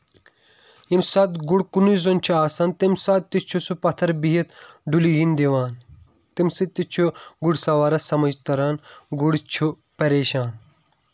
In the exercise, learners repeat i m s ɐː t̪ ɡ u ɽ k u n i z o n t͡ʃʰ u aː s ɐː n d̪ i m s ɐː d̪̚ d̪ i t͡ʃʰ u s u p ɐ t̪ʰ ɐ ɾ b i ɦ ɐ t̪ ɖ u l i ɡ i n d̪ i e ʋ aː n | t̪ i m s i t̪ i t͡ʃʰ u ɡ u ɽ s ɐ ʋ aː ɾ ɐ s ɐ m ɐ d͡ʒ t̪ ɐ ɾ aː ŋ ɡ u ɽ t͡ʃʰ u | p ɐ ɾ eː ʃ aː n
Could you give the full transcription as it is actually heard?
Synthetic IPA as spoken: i m s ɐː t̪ ɡ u ɽ k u n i z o n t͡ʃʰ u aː s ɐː n t̪ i m s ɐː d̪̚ t̪ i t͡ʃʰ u s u p ɐ t̪ʰ ɐ ɾ b i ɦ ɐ t̪ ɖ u l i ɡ i n d̪ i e ʋ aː n | t̪ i m s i t̪ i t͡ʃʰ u ɡ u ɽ s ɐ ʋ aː ɾ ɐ s ɐ m ɐ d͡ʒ t̪ ɐ ɾ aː n ɡ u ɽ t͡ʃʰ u | p ɐ ɾ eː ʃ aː n